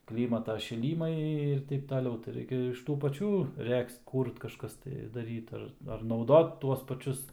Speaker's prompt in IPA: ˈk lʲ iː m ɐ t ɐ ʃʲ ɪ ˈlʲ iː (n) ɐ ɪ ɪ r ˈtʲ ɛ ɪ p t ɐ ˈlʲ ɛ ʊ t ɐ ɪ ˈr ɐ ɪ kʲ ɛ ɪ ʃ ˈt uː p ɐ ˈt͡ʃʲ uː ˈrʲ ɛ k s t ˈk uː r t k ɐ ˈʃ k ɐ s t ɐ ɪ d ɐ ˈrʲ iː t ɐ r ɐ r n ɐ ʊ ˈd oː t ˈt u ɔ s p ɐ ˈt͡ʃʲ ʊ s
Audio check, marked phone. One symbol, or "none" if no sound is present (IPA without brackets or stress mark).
m